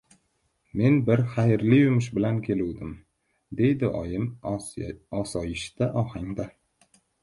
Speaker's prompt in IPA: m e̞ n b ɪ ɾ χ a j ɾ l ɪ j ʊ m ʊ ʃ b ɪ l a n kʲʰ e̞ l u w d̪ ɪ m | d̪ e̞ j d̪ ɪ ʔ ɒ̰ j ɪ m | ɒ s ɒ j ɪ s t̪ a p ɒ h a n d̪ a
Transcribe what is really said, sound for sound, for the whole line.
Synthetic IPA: m e̞ n b ɪ ɾ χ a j ɾ l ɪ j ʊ m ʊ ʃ b ɪ l a n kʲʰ e̞ l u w d̪ ɪ m | d̪ e̞ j d̪ ɪ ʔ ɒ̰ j ɪ m | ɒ s ɒ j ɪ ʃ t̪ a ʔ ɒ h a ŋ d̪ a